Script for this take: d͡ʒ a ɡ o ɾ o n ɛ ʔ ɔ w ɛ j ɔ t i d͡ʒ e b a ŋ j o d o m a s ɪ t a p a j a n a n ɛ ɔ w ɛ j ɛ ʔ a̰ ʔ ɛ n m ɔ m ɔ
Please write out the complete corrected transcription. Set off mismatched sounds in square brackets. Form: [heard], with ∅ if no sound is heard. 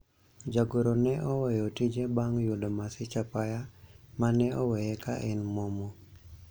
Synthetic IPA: d͡ʒ a ɡ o ɾ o n ɛ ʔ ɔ w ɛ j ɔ t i d͡ʒ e b a ŋ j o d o m a s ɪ [t͡ʃ] a p a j a [m] a n ɛ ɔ w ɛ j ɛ [k] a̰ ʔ ɛ n m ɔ m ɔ